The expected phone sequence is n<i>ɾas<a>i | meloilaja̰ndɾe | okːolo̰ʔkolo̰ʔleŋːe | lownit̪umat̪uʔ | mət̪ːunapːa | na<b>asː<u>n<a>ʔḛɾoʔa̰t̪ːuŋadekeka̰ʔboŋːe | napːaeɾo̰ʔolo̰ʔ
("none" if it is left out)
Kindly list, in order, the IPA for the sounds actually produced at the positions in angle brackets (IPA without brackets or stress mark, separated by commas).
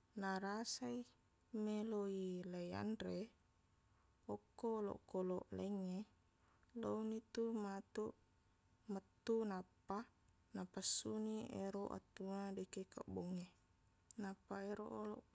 a, a, p, u, i